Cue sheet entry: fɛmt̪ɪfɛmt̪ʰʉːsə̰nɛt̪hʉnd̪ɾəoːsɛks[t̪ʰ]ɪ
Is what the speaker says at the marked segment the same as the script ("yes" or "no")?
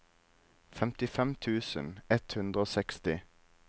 no